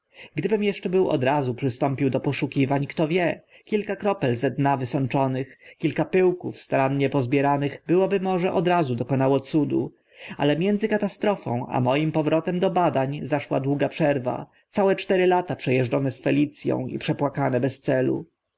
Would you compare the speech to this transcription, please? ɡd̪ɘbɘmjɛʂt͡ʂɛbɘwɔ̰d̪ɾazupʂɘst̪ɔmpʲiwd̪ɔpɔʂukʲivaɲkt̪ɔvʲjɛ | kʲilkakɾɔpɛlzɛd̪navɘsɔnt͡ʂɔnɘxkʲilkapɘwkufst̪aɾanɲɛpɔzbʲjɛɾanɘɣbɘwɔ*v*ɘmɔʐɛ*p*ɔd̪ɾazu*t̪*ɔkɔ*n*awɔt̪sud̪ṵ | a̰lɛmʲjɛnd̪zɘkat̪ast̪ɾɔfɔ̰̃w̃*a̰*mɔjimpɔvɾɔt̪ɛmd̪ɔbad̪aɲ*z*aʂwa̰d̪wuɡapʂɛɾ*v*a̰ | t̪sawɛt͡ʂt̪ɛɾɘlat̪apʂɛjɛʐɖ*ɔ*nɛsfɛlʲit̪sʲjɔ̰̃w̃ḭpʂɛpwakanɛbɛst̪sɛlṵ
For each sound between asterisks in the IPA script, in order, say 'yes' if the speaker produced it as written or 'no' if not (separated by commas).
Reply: no, no, no, yes, yes, yes, yes, yes